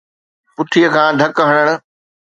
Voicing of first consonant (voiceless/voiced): voiceless